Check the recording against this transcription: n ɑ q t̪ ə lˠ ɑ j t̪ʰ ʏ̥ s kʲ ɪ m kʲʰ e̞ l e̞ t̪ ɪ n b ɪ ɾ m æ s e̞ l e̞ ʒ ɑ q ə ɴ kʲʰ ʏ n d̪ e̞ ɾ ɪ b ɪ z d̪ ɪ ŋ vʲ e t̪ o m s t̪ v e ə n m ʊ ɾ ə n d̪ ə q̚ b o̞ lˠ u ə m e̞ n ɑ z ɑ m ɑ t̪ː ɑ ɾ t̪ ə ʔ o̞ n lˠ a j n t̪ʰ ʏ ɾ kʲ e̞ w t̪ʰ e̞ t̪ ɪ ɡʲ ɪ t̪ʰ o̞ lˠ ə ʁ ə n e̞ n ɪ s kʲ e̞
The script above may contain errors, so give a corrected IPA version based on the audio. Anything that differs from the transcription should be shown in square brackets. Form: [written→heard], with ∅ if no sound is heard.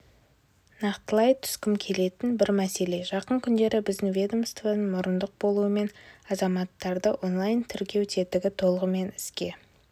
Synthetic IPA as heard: n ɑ q t̪ ə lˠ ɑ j t̪ʰ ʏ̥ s kʲ ɪ m kʲʰ e̞ l e̞ t̪ ɪ n b ɪ ɾ m æ s e̞ l e̞ ʒ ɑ q ə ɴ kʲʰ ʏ n d̪ e̞ ɾ ɪ b ɪ z d̪ ɪ ŋ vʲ e [t̪→d̪] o m s t̪ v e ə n m ʊ ɾ ə n d̪ ə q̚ b o̞ lˠ u ə m e̞ n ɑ z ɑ m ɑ t̪ː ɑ ɾ [t̪→d̪] ə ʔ o̞ n lˠ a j n t̪ʰ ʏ ɾ kʲ e̞ w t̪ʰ e̞ t̪ ɪ ɡʲ ɪ t̪ʰ o̞ lˠ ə ʁ ə [n→m] e̞ n ɪ s kʲ e̞